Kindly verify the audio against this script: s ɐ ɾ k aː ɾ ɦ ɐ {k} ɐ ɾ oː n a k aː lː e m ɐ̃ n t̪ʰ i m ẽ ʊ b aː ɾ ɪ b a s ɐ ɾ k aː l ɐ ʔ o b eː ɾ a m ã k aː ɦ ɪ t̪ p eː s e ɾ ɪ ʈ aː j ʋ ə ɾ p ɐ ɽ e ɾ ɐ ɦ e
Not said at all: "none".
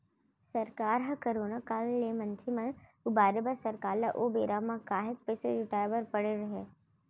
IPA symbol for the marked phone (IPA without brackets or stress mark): k